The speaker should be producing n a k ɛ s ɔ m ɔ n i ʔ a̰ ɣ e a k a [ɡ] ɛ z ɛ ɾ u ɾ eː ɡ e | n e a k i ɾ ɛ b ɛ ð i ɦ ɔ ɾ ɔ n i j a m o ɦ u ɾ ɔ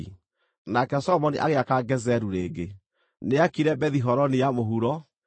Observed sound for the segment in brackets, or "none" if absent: ɡ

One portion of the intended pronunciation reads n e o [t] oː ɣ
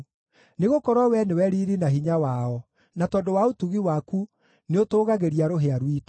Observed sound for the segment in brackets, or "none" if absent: t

